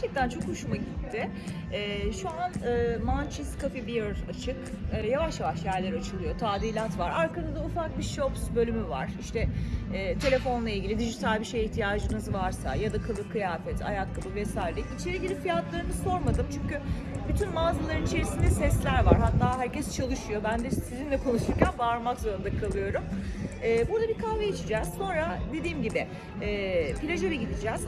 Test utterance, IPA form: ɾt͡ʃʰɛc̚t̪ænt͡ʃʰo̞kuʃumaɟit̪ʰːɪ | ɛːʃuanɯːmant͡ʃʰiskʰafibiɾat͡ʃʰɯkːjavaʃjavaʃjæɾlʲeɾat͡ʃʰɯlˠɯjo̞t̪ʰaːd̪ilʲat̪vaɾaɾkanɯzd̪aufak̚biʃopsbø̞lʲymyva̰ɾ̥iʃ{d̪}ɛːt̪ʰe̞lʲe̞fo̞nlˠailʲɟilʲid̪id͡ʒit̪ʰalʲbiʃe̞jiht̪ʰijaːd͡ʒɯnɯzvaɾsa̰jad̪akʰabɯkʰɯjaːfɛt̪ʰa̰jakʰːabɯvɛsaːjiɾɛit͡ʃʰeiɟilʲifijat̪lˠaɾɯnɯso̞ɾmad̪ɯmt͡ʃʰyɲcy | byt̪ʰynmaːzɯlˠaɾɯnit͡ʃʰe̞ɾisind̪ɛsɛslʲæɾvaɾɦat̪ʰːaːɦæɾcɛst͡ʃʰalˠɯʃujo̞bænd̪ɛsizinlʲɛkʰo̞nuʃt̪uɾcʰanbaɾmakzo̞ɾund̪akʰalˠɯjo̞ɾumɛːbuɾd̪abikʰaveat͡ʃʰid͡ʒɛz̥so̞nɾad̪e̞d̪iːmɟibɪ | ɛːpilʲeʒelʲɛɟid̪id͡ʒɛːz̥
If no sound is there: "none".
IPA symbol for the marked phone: t̪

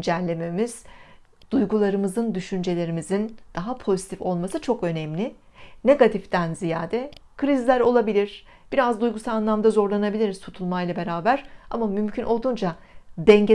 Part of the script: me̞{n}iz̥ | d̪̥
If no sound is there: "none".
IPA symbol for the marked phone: m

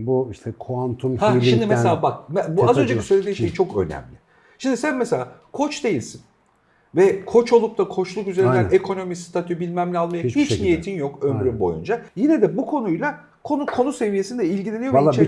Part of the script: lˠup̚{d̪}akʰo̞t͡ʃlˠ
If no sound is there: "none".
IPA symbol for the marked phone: t̪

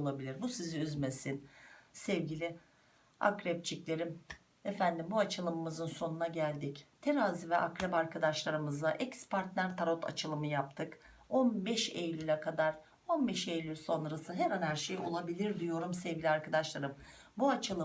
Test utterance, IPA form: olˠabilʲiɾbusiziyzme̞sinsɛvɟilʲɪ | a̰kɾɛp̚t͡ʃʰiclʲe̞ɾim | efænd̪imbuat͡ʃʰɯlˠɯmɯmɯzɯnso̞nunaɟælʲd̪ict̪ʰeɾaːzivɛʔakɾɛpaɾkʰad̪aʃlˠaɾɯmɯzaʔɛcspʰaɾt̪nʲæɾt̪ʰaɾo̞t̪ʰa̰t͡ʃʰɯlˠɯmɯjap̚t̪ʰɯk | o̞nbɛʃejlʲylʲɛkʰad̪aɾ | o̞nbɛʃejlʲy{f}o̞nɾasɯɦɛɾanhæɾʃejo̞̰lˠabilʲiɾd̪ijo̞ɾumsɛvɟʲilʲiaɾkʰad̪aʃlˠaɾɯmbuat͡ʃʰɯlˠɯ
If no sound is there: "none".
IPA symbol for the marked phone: s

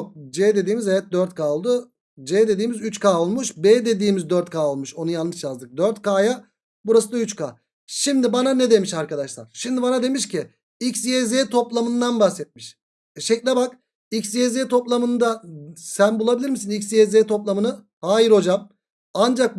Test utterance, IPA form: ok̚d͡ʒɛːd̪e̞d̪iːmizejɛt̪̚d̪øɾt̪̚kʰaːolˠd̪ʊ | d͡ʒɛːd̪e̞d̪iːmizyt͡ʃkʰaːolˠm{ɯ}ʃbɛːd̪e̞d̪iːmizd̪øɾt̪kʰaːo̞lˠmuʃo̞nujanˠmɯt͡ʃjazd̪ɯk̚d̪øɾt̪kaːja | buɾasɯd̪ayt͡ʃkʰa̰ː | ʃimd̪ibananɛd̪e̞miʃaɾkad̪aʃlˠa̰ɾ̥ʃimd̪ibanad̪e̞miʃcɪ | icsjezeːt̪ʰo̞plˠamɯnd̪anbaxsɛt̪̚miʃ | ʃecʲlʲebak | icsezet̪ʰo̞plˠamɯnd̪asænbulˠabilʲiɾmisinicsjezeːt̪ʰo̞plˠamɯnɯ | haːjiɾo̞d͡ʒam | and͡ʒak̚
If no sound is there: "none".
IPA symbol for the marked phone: u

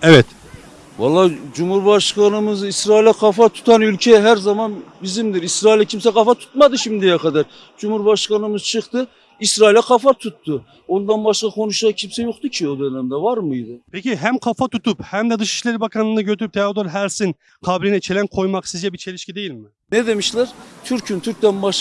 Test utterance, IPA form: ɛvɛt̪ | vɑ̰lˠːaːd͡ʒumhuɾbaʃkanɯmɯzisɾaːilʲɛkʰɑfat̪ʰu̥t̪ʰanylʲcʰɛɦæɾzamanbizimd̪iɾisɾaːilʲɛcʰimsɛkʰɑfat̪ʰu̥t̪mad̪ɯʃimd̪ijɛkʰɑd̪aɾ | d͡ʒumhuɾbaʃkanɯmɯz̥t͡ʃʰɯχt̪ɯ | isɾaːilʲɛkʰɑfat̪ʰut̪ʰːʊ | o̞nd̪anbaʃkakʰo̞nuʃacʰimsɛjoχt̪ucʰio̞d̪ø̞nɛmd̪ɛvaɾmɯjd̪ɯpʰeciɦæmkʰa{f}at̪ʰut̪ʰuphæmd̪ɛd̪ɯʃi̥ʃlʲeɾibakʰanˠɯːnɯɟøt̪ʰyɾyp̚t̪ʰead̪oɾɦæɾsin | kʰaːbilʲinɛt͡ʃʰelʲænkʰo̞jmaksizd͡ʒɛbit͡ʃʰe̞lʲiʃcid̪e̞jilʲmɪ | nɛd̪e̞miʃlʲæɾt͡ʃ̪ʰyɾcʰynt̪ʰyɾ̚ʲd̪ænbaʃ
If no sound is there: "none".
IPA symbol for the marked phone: f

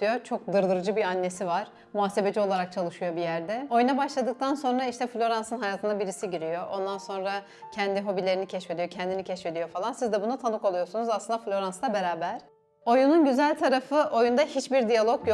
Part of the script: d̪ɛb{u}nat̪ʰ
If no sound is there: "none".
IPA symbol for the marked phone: u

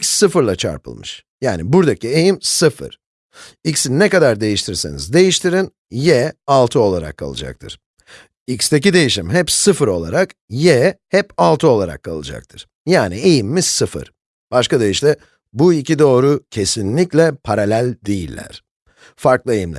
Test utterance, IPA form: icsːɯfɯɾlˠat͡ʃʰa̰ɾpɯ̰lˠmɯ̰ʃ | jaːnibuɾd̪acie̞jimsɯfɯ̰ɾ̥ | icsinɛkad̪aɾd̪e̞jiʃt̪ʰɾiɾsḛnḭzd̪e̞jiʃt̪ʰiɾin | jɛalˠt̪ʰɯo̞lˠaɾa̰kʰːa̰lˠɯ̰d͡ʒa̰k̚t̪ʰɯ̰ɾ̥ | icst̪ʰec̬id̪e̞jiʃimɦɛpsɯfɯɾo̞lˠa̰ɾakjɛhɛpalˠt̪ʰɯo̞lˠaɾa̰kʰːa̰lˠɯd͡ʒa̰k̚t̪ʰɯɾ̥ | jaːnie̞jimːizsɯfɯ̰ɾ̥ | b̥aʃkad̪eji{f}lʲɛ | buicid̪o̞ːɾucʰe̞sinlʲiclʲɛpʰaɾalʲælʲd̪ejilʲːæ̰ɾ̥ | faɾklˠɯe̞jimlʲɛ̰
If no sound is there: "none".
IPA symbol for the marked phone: ʃ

